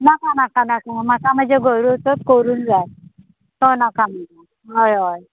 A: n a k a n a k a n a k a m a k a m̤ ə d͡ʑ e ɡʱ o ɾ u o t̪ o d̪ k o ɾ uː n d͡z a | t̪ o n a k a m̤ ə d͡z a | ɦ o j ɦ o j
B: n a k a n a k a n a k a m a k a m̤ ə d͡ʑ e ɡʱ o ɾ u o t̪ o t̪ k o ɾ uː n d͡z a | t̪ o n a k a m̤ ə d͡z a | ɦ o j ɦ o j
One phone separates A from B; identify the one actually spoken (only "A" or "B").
B